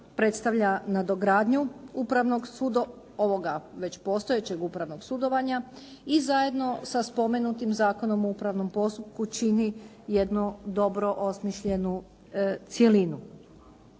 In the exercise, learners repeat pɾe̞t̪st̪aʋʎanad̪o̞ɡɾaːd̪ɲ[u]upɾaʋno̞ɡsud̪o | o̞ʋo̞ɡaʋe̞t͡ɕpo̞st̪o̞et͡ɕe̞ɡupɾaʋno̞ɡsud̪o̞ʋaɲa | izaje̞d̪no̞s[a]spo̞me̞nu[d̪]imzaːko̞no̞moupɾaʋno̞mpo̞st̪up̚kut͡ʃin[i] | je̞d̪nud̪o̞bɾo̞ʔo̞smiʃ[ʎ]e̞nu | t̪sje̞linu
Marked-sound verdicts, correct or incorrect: correct, correct, incorrect: t̪, correct, correct

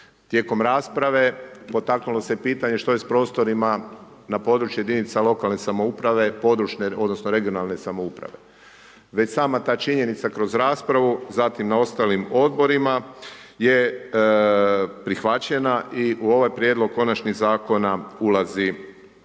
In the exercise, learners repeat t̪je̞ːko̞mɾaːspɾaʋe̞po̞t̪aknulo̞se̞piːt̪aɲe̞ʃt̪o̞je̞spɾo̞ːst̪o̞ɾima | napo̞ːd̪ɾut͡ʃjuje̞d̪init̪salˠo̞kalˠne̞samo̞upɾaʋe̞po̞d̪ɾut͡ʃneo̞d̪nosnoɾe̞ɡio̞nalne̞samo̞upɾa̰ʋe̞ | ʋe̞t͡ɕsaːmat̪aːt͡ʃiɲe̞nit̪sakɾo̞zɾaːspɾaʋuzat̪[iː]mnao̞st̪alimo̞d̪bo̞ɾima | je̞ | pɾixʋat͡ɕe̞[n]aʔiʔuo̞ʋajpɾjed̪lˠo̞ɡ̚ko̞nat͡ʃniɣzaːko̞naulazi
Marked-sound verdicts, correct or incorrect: incorrect: i, correct

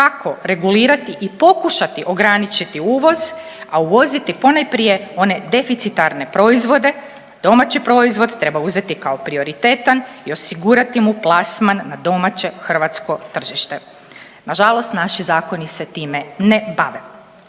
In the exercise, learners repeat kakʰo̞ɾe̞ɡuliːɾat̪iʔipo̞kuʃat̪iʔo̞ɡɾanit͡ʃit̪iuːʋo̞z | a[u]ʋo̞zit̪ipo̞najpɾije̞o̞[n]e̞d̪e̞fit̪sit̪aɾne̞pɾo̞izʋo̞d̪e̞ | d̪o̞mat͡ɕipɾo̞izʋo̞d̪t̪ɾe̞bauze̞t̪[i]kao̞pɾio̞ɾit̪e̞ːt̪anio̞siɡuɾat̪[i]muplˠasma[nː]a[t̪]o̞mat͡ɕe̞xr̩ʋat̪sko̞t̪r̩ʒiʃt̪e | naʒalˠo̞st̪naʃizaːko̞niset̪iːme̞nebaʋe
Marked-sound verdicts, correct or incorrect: correct, correct, correct, correct, correct, incorrect: d̪

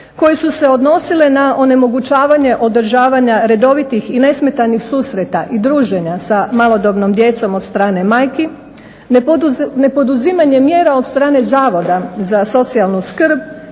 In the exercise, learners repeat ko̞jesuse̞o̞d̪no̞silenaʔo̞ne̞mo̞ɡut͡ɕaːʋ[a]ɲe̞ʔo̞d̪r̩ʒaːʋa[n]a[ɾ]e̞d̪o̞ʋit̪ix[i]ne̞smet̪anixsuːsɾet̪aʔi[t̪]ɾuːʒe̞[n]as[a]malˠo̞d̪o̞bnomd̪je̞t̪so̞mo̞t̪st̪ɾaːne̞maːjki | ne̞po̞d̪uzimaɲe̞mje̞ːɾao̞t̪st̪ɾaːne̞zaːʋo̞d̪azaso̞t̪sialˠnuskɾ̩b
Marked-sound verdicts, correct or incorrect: correct, incorrect: ɲ, correct, correct, incorrect: d̪, incorrect: ɲ, correct

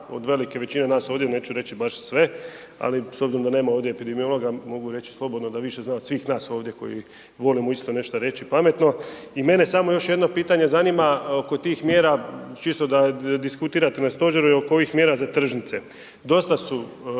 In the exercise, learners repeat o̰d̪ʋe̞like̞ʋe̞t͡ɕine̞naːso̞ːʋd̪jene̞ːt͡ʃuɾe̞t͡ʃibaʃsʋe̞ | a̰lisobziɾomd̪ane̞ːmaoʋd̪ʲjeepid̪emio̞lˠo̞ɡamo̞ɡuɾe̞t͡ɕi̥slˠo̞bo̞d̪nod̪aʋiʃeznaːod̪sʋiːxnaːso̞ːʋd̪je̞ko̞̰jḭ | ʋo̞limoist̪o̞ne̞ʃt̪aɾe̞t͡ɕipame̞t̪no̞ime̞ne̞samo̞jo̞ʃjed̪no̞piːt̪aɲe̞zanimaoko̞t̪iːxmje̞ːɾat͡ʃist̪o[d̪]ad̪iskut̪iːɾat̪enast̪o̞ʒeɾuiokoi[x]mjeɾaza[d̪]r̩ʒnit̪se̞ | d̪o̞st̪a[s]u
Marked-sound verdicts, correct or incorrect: correct, correct, incorrect: t̪, correct

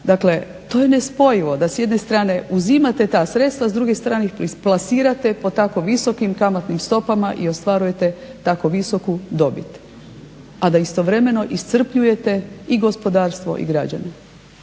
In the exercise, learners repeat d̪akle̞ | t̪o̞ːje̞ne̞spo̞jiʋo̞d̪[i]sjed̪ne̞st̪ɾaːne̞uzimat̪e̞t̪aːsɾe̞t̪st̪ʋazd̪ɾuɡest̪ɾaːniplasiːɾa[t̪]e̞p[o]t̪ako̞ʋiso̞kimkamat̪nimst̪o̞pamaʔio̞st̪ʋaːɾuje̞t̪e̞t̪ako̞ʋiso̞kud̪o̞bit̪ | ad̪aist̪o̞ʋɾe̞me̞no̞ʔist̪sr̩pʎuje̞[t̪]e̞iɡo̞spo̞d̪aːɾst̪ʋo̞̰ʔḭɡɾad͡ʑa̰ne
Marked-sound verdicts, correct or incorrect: incorrect: a, correct, correct, correct

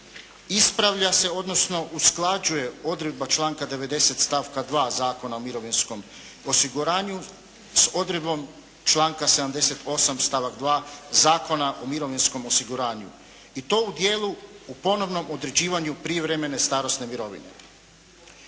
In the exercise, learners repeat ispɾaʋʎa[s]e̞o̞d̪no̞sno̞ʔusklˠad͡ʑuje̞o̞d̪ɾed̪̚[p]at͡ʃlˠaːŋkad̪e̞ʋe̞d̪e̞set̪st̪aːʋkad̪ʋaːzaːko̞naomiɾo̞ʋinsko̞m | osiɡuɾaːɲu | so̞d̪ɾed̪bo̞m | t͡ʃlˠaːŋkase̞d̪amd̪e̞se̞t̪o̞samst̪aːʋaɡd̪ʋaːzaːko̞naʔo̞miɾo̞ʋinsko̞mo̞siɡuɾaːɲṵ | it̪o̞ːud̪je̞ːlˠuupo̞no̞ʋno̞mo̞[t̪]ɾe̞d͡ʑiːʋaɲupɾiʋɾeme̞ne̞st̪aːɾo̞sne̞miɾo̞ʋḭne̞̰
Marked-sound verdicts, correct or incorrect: correct, incorrect: b, incorrect: d̪

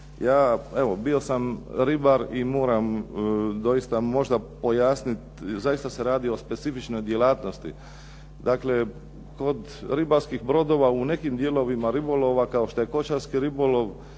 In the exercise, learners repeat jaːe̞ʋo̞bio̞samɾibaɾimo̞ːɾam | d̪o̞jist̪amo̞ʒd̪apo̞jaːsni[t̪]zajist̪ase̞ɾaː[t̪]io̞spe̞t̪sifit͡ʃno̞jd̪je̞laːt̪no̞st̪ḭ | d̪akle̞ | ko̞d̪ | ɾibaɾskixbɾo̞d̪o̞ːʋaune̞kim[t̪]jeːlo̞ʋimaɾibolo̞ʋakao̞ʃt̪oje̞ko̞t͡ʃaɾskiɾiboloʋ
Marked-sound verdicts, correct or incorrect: correct, incorrect: d̪, incorrect: d̪

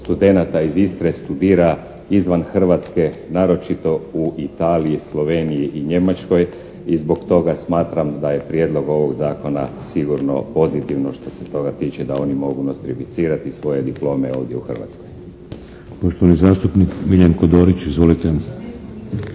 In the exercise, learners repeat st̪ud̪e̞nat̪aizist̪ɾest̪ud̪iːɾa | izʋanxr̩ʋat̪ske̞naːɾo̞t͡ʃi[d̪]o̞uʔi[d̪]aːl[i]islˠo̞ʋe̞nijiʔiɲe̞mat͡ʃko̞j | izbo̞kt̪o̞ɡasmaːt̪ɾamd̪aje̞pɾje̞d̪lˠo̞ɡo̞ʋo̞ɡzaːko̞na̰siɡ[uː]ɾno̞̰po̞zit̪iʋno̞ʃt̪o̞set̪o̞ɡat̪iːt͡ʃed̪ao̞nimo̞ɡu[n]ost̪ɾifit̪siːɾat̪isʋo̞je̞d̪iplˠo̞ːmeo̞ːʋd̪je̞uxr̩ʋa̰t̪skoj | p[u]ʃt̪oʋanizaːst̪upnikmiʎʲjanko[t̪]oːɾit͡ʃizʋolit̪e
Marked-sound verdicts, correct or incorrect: incorrect: t̪, incorrect: t̪, correct, incorrect: u, correct, incorrect: o, incorrect: d̪

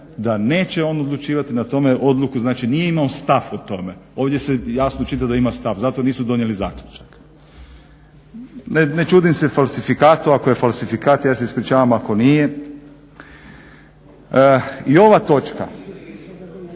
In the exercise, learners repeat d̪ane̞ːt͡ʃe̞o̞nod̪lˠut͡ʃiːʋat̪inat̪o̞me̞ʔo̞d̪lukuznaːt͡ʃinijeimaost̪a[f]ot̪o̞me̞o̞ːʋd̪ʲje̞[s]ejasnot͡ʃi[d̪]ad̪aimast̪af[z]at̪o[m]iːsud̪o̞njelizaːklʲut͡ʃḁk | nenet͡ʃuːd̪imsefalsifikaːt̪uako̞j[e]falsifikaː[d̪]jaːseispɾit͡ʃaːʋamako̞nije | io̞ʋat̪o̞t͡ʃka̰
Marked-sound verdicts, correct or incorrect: correct, correct, incorrect: t̪, correct, incorrect: n, correct, incorrect: t̪

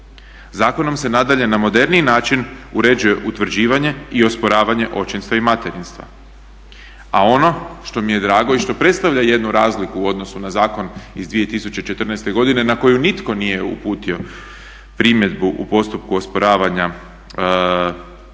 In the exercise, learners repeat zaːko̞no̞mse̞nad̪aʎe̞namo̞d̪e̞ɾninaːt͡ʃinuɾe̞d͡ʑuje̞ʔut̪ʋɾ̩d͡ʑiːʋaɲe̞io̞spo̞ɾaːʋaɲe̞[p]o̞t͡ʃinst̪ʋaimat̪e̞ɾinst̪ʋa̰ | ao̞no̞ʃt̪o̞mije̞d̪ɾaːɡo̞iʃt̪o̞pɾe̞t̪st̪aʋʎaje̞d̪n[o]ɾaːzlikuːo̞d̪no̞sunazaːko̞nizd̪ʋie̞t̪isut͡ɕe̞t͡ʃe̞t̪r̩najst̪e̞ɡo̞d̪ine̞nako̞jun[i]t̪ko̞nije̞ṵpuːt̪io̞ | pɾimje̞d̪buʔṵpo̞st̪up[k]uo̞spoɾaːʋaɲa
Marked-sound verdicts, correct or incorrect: incorrect: ʔ, incorrect: u, correct, correct

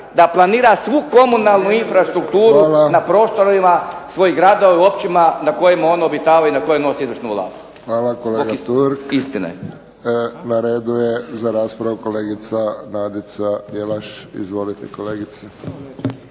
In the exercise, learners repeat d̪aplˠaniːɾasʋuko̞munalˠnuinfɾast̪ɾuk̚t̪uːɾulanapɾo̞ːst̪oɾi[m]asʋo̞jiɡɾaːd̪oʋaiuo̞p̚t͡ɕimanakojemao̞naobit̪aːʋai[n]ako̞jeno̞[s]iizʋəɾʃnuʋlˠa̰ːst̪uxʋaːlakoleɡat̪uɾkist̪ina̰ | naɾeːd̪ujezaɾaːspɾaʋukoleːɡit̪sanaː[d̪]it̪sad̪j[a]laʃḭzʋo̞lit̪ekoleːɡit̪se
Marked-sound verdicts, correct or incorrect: correct, correct, correct, correct, incorrect: e

